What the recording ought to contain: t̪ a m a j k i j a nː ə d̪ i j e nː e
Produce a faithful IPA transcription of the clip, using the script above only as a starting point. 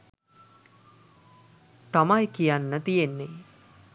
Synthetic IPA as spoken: t̪ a m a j k i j a nː ə t̪ i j e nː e